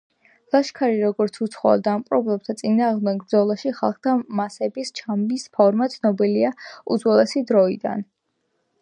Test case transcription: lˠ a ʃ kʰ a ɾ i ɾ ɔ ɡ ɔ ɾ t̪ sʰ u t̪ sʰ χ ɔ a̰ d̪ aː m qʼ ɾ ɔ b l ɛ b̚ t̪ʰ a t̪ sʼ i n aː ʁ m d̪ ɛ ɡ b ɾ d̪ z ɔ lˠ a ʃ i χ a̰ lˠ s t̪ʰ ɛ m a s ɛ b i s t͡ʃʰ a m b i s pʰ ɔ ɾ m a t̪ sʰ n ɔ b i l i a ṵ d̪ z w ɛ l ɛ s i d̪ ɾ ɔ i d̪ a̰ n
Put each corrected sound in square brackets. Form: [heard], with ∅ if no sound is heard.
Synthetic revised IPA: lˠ a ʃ kʰ a ɾ i ɾ ɔ ɡ ɔ ɾ t̪ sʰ u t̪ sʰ χ ɔ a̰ d̪ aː m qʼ ɾ ɔ b l ɛ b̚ t̪ʰ a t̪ sʼ i n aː ʁ m d̪ ɛ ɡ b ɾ d̪ z ɔ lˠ a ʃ i χ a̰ lˠ [χ] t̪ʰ [a] m a s ɛ b i s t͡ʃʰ a m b i s pʰ ɔ ɾ m a t̪ sʰ n ɔ b i l i a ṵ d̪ z w ɛ l ɛ s i d̪ ɾ ɔ i d̪ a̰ n